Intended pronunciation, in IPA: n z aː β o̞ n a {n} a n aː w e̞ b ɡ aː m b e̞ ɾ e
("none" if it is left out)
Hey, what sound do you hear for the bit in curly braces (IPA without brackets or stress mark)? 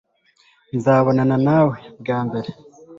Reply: n